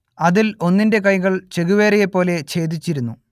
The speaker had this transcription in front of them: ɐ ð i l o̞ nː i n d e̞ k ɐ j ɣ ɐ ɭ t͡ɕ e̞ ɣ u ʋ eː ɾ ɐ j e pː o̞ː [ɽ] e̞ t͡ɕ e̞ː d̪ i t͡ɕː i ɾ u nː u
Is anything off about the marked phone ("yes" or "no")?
yes